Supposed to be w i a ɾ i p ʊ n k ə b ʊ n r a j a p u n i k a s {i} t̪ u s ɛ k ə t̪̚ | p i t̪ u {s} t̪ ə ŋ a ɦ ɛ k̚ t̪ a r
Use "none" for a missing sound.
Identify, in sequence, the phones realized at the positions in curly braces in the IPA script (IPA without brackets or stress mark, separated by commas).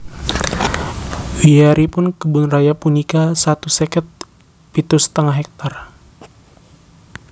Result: a, s